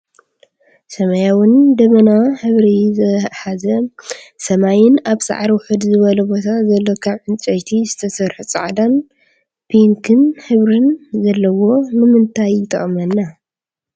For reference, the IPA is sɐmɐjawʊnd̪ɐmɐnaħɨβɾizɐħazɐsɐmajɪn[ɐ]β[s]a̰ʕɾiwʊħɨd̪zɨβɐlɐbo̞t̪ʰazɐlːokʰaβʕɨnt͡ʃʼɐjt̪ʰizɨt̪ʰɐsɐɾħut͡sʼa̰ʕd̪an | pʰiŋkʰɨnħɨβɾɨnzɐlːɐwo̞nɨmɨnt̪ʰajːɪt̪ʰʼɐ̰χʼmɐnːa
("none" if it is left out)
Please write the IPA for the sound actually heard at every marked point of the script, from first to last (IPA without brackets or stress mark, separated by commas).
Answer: a, s